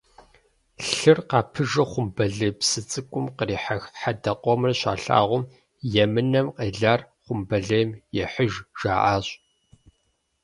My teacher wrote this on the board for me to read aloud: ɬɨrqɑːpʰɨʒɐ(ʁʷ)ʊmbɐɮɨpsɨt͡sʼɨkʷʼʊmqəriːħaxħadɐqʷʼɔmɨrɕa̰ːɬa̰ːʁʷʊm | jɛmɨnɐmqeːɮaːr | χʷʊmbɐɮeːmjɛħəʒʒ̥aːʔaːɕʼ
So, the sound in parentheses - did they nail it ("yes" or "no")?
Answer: no